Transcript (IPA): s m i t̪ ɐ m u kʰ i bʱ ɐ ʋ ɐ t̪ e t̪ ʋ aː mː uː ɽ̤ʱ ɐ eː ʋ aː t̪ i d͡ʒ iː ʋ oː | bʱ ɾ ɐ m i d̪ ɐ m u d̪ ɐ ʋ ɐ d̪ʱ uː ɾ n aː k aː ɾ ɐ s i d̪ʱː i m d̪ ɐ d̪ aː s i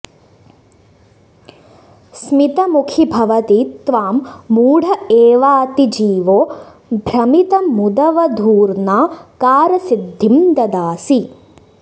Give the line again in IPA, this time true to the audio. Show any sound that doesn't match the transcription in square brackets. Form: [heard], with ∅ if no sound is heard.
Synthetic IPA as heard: s m i t̪ ɐ m u kʰ i bʱ ɐ ʋ ɐ t̪ [i] t̪ ʋ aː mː uː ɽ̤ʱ ɐ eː ʋ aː t̪ i d͡ʒ iː ʋ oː | bʱ ɾ ɐ m i [t̪] ɐ m u d̪ ɐ ʋ ɐ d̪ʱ uː ɾ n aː k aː ɾ ɐ s i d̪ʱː i m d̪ ɐ d̪ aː s i